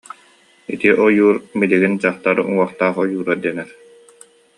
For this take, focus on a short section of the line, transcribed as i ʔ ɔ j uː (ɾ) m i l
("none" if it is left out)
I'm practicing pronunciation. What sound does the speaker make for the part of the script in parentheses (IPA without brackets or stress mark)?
ɾ